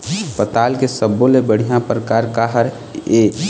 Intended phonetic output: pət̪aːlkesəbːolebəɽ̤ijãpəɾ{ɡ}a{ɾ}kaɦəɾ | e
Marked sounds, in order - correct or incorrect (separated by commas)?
incorrect, correct